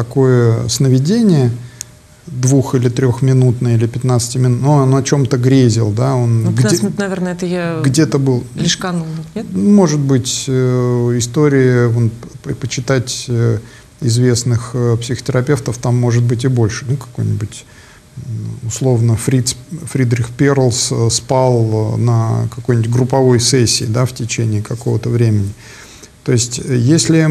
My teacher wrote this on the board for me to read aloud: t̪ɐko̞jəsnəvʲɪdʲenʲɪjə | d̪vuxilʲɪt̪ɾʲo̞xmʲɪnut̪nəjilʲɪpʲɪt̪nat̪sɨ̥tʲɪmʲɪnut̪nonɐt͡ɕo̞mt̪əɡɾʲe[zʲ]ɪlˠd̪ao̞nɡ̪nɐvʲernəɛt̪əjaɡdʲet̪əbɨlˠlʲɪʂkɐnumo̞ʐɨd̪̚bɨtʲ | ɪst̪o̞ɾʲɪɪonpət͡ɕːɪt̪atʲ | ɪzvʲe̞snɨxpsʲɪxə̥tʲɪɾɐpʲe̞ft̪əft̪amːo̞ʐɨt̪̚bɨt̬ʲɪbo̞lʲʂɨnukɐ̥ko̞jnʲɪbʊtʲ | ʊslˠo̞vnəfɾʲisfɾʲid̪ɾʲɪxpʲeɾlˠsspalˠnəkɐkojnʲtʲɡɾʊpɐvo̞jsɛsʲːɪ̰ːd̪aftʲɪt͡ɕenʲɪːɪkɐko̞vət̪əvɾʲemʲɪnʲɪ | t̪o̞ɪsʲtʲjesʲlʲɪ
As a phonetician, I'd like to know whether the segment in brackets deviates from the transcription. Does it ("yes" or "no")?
no